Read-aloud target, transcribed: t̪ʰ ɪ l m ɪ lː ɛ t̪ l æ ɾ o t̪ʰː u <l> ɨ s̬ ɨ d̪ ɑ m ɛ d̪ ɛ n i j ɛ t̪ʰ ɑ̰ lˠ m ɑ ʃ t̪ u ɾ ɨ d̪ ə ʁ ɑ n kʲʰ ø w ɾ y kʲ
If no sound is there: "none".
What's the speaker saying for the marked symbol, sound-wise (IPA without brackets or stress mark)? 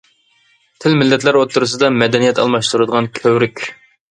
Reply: ɾ